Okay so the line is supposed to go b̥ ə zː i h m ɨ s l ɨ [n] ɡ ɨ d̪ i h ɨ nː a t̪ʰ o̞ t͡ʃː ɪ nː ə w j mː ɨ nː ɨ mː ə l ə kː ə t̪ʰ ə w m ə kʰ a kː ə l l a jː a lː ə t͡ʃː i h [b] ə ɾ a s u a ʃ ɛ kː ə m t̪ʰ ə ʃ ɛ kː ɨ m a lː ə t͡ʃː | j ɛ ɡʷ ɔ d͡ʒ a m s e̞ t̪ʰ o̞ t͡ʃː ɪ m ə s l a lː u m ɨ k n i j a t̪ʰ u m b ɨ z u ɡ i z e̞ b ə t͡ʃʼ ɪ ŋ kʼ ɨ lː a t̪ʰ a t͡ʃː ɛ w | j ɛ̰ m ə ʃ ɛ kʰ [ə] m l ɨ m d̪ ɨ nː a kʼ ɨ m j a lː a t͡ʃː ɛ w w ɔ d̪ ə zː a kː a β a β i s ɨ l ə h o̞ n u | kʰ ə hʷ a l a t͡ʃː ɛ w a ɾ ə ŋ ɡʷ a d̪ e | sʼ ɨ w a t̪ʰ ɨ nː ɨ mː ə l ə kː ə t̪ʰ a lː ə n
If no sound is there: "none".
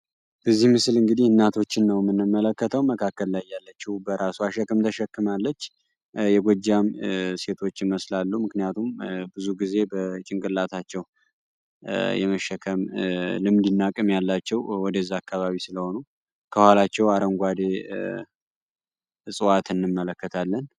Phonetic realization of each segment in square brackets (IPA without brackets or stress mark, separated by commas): ŋ, b, ə